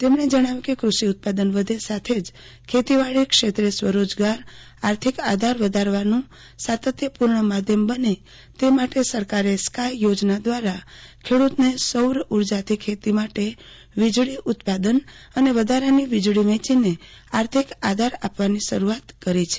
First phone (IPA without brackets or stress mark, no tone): t̪